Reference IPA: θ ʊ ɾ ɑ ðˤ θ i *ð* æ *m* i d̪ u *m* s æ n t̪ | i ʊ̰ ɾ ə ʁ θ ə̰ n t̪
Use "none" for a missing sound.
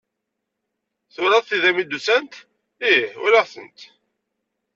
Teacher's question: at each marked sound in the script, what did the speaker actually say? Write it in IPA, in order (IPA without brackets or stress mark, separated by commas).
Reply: ð, m, none